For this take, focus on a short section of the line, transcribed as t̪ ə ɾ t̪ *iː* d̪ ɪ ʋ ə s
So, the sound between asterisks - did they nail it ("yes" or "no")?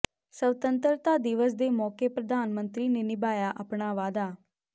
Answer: no